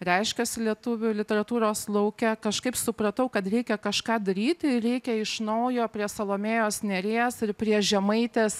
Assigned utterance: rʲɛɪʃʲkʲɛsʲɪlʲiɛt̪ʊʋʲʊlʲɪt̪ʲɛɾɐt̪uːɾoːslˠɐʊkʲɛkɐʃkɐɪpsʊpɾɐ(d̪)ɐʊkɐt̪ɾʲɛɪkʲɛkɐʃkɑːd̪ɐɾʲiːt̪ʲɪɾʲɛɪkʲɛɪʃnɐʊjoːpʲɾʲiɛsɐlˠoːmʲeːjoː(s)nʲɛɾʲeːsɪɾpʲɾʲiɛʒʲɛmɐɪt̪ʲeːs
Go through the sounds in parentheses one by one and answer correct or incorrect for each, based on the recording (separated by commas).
incorrect, correct